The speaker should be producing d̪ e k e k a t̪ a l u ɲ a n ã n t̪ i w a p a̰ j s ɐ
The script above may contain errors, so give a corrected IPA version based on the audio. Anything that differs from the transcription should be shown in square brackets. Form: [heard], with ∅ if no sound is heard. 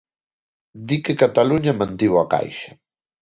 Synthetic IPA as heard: d̪ [i] k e k a t̪ a l u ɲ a [m] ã n t̪ i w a [k] a̰ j [ʃ] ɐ

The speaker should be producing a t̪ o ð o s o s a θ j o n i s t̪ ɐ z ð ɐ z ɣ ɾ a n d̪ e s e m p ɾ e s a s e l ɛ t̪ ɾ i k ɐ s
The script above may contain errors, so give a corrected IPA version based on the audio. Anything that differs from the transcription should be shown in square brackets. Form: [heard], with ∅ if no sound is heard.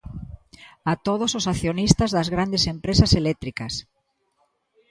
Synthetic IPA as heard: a t̪ o ð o s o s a θ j o n i s t̪ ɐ z ð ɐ z ɣ ɾ a n d̪ e s e m p ɾ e s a s e l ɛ t̪ ɾ i k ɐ s

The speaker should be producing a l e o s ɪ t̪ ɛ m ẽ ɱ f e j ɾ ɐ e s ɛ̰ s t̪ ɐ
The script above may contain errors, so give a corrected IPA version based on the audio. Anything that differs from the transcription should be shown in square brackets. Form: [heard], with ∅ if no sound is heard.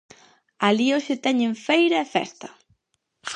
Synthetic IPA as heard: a l [i] o [ʃ] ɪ t̪ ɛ [ɲ] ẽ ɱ f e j ɾ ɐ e [f] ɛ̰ s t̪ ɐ

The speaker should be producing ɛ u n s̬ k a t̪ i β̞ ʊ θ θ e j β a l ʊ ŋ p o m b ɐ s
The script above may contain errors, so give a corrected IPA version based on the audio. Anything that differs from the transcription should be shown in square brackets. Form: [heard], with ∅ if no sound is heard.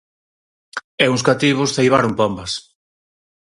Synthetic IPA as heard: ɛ u [ŋ] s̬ k a t̪ i β̞ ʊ [s] θ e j β a [ɾ] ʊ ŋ p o m b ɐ s

